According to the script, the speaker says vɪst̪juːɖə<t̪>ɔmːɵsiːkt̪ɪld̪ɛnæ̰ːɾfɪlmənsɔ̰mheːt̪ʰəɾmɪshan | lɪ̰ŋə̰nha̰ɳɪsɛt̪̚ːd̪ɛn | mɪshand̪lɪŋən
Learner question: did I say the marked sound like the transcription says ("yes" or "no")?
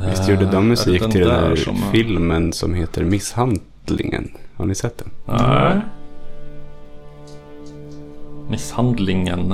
no